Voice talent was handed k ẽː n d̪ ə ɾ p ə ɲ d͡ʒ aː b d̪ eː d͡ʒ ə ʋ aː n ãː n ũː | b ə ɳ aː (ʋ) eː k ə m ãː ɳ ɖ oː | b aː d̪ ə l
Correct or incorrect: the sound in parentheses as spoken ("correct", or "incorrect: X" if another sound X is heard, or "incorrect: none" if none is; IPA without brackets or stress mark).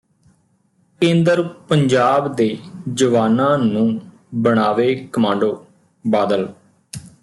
correct